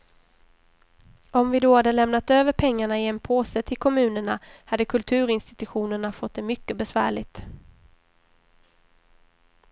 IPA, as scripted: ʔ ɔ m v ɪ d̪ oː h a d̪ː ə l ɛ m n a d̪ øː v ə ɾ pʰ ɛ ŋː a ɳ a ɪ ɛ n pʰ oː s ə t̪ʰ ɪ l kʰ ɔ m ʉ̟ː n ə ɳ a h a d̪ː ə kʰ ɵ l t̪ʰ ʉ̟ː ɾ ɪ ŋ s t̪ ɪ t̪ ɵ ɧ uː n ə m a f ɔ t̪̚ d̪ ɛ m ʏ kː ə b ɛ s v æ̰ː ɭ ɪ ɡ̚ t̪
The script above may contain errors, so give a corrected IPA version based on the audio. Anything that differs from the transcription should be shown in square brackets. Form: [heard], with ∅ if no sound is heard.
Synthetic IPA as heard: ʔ ɔ m v ɪ d̪ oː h a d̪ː ə l ɛ m n a [t̪] øː v ə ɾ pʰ ɛ ŋː a ɳ a ɪ ɛ n pʰ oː s ə t̪ʰ ɪ l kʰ ɔ m ʉ̟ː n ə ɳ a h a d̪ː ə kʰ ɵ l t̪ʰ ʉ̟ː ɾ ɪ [n] s t̪ ɪ t̪ ɵ ɧ uː n ə [ɳ] a f ɔ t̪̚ d̪ ɛ m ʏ kː ə b ɛ s v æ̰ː ɭ ɪ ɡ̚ t̪